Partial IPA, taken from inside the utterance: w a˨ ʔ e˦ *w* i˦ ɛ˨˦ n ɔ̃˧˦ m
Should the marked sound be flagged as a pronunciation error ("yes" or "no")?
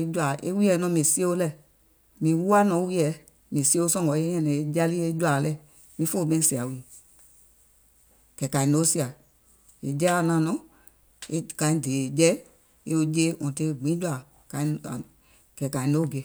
no